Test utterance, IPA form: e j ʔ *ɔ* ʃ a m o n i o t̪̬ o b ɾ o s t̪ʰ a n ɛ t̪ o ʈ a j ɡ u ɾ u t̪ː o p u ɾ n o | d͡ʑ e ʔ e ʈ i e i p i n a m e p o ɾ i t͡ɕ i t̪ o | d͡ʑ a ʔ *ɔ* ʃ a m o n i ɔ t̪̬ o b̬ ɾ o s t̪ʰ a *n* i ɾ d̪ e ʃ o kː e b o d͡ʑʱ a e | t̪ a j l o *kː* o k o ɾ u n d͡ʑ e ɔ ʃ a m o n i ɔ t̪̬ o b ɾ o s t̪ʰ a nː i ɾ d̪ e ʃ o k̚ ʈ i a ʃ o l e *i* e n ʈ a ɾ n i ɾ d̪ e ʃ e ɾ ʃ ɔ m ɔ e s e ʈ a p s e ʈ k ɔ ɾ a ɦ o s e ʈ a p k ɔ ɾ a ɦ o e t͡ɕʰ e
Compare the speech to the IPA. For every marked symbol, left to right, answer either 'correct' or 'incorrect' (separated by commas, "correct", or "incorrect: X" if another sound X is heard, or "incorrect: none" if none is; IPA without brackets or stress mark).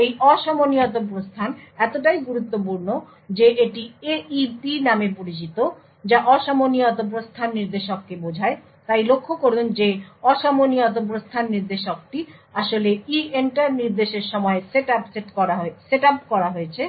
correct, correct, incorrect: nː, incorrect: kʰː, correct